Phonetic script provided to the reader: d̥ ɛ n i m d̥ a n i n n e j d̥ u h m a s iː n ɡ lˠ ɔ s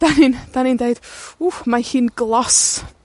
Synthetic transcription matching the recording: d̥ a n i n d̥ a n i n d e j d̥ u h m a h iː n ɡ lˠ ɔ s